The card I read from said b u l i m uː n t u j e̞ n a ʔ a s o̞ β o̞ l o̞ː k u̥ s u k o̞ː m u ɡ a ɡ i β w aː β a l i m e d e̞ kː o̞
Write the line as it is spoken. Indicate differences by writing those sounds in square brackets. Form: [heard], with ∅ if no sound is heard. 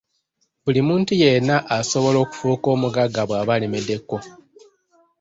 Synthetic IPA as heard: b u l i m uː n t u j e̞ n a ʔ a s o̞ β o̞ l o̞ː k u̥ [f] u k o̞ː m u ɡ a ɡ [a] β w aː β a l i m e d e̞ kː o̞